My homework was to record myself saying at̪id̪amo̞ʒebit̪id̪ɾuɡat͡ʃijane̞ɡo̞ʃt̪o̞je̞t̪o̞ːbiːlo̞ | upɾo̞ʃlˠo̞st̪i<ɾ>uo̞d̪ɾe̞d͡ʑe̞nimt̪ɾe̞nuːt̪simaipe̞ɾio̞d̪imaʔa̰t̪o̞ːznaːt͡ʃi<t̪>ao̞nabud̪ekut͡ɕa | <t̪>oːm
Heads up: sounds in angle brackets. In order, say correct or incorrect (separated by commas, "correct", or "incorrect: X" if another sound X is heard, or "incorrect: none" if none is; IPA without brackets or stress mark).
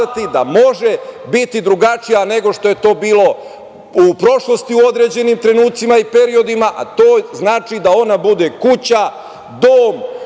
incorrect: none, incorrect: d̪, incorrect: d̪